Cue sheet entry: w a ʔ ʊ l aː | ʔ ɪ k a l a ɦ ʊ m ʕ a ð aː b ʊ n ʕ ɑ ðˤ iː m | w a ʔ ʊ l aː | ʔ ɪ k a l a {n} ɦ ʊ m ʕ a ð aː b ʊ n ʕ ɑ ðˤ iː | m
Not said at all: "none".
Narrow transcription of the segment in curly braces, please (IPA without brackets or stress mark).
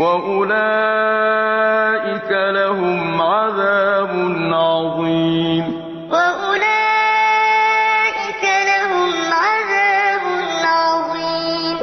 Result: none